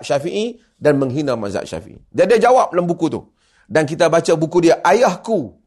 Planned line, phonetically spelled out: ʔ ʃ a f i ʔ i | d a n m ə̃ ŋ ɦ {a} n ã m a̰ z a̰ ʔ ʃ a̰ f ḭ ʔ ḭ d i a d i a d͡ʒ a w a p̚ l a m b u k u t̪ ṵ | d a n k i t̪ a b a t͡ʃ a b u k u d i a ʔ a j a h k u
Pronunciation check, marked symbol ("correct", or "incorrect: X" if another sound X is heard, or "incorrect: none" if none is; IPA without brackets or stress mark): incorrect: i